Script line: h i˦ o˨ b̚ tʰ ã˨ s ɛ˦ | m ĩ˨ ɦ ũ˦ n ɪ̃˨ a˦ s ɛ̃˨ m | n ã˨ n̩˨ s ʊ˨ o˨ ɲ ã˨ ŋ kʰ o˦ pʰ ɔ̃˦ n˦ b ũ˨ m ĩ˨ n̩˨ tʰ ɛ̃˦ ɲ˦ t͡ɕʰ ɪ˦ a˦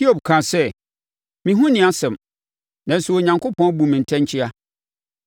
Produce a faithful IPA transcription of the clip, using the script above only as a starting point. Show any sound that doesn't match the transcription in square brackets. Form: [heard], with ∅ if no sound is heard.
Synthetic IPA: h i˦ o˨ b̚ [kʰ] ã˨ s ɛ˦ | m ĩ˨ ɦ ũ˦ n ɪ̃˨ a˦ s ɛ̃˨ m | n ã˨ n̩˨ s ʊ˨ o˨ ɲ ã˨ ŋ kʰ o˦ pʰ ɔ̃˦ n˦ b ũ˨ m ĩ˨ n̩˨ tʰ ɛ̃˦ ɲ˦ t͡ɕʰ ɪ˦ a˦